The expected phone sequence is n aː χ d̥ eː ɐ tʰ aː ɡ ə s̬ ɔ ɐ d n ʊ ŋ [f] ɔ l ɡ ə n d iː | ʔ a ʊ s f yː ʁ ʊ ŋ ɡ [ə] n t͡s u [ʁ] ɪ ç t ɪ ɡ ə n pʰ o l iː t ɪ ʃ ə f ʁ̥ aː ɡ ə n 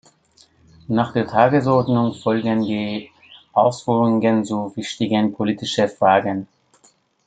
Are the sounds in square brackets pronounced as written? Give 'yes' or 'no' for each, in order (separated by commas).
yes, yes, no